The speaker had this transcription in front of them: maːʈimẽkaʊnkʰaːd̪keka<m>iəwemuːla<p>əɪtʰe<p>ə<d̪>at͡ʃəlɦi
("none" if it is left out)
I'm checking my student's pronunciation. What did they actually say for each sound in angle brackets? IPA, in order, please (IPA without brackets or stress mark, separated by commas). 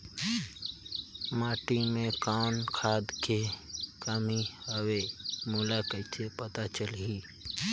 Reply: m, k, p, t̪